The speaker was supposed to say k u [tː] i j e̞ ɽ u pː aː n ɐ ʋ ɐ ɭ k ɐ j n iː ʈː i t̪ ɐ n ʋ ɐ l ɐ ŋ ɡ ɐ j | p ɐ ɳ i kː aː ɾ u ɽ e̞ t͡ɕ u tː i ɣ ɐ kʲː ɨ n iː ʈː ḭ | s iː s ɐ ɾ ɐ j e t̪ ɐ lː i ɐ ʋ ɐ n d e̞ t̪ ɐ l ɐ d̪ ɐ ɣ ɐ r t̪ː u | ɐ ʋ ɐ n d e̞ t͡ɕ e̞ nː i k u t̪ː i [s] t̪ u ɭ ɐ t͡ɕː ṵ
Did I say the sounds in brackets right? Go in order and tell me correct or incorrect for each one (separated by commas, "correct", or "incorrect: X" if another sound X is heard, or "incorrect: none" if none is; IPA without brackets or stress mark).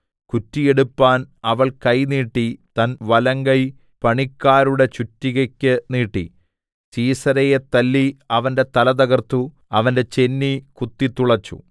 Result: correct, incorrect: none